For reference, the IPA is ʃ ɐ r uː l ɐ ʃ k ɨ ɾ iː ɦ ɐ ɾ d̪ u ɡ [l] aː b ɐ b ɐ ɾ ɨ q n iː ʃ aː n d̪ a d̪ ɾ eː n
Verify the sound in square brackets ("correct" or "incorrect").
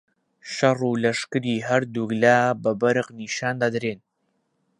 correct